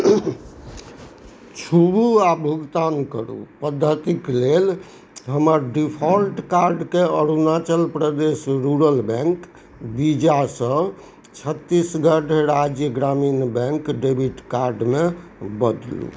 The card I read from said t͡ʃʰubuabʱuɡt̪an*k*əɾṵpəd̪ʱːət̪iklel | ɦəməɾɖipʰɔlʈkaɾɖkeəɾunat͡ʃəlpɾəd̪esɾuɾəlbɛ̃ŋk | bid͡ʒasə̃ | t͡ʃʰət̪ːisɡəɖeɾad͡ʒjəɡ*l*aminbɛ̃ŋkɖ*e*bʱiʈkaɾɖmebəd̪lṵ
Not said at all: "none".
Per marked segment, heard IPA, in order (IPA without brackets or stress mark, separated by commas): k, ɾ, e